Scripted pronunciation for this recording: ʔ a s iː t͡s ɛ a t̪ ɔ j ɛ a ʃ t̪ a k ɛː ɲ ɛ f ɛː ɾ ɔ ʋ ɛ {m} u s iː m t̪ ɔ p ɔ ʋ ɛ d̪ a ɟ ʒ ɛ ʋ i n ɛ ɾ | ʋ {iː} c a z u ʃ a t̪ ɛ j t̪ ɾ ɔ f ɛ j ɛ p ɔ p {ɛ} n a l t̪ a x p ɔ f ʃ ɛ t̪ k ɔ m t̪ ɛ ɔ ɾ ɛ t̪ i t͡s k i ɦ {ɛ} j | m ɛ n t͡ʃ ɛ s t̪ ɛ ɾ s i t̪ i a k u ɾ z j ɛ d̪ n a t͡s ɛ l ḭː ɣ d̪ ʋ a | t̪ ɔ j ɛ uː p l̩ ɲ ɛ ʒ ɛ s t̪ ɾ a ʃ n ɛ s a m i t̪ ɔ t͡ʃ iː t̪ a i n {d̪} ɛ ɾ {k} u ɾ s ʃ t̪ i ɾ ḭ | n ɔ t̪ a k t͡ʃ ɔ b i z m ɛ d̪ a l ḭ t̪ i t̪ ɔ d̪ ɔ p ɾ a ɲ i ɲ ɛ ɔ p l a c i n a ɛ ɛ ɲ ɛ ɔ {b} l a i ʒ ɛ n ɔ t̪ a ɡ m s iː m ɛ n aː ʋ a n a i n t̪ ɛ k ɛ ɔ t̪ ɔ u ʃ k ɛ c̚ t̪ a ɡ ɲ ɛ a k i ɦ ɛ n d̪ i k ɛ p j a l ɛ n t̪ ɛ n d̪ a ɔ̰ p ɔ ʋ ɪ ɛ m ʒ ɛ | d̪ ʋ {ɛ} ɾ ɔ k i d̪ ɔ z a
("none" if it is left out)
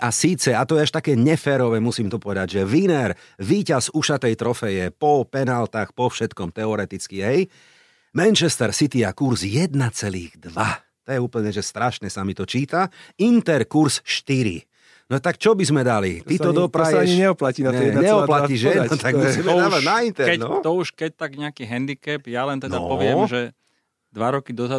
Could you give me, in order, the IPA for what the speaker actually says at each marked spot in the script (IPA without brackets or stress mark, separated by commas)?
m, iː, ɛ, ɛ, t̪, k, p, a